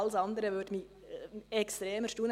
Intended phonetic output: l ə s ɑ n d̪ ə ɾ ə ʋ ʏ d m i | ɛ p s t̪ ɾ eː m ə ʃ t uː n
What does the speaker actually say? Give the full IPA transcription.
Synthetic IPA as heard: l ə s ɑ n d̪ ə ɾ ə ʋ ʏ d m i | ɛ k s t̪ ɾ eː m ə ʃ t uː n